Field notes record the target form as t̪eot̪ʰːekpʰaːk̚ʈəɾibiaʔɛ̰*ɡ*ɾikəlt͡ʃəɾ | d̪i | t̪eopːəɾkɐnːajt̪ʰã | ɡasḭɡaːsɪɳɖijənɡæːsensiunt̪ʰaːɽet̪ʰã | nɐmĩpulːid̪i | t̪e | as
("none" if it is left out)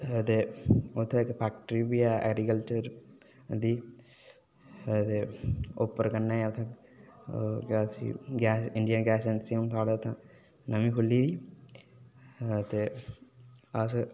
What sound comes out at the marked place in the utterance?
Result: ɡ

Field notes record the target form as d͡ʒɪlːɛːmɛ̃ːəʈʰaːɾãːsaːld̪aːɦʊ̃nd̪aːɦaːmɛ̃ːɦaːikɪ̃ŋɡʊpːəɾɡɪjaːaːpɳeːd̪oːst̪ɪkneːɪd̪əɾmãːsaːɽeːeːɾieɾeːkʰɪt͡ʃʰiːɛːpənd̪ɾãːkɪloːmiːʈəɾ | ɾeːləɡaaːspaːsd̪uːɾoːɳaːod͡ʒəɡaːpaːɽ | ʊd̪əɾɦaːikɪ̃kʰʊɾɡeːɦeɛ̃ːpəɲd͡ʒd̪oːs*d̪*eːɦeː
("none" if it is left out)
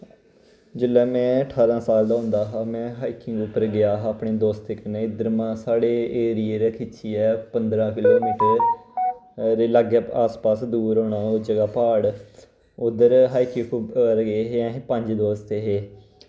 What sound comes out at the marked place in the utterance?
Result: t̪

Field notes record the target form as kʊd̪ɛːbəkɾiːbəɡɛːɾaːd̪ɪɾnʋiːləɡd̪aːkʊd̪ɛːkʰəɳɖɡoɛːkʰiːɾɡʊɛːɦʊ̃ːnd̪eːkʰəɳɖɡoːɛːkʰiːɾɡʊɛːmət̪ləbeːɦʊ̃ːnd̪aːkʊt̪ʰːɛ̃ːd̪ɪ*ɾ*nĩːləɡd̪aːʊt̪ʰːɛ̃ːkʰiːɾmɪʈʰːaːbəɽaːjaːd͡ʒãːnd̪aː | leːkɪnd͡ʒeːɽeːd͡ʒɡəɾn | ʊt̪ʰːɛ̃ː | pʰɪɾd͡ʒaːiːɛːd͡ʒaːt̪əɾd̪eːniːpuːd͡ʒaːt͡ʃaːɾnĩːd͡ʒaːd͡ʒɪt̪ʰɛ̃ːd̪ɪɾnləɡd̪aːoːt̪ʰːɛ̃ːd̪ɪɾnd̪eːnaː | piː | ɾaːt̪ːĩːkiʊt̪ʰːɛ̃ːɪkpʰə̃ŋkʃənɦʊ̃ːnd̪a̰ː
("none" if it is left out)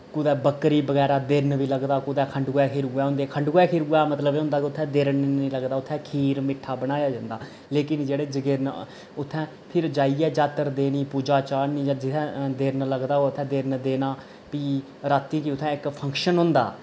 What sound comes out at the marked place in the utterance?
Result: ɾ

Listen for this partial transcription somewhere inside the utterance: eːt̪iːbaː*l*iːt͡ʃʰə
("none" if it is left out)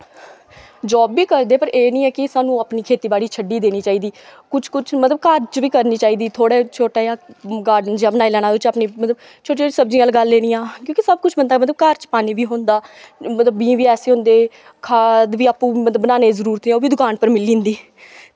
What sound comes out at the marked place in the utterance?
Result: ɽ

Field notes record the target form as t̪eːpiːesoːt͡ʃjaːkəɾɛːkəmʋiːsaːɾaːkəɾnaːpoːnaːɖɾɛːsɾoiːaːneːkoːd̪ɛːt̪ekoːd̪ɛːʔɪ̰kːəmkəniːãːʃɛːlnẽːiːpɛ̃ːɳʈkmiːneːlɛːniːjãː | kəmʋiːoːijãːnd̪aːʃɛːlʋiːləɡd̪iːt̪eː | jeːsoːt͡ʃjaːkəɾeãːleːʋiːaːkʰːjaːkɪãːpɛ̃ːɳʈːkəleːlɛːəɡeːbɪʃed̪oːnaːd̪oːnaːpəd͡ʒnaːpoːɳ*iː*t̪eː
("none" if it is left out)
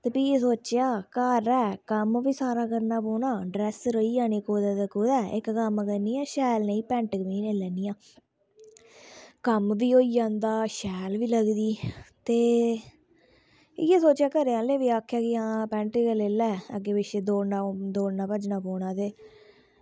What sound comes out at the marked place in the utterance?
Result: aː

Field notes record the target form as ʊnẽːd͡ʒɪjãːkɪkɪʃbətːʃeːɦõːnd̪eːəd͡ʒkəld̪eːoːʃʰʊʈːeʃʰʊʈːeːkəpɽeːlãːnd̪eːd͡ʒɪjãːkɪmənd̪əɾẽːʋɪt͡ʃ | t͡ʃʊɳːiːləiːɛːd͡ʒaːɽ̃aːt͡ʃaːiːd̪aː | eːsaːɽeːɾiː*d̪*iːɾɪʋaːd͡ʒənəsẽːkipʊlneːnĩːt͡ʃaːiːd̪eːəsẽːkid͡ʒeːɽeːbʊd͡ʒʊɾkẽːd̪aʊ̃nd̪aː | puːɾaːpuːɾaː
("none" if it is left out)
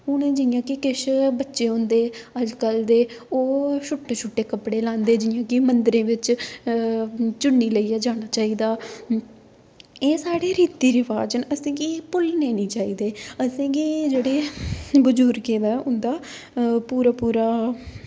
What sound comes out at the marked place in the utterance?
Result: t̪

